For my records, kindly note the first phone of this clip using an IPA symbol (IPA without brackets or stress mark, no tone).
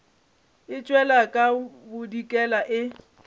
ɪ